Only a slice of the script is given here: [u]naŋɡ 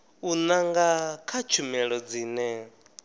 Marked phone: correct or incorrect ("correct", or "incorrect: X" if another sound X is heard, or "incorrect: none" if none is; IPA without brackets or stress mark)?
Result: correct